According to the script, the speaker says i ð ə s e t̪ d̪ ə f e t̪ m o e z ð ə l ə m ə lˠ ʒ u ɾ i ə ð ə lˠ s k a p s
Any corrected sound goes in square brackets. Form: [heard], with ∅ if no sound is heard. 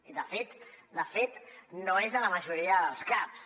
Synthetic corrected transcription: i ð ə [f] e t̪ d̪ ə f e t̪ [n] o e z ð ə l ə m ə [∅] ʒ u ɾ i ə ð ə lˠ s k a p s